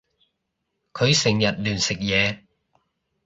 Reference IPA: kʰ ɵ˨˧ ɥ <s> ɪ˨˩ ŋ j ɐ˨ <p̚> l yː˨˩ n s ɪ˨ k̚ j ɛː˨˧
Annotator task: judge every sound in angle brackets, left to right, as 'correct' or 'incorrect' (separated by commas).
correct, incorrect